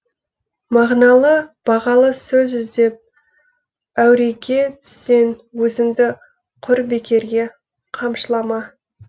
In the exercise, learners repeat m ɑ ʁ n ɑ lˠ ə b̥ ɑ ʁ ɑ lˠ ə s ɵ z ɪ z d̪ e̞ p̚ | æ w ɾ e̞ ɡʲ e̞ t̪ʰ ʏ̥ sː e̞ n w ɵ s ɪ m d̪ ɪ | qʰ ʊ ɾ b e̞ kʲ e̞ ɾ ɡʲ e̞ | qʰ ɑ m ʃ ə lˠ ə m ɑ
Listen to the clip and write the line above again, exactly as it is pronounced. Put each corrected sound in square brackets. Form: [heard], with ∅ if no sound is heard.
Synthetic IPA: m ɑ ʁ n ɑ lˠ ə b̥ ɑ ʁ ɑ lˠ ə s ɵ z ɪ z d̪ e̞ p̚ | æ w ɾ e̞ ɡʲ e̞ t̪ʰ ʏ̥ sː e̞ n w ɵ [z] ɪ m d̪ ɪ | qʰ ʊ ɾ b e̞ kʲ e̞ ɾ ɡʲ e̞ | qʰ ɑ m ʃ ə lˠ [ɑ] m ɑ